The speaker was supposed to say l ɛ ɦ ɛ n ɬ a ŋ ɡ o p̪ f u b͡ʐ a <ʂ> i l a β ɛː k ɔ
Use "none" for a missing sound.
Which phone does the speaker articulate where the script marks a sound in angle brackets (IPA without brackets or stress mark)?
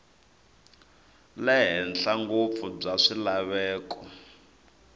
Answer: ʂ